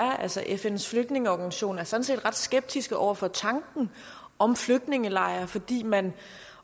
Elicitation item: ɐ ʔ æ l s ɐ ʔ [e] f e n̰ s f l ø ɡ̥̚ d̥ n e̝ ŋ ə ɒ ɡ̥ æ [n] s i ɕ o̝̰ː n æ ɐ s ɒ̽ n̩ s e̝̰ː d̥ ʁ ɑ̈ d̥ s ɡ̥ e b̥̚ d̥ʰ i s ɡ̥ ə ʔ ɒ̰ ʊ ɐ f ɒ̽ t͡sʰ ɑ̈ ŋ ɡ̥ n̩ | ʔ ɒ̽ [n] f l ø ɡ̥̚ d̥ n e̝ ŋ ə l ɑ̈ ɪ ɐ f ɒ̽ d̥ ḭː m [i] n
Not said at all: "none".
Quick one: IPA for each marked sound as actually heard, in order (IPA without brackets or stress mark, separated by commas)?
e, n, m, æ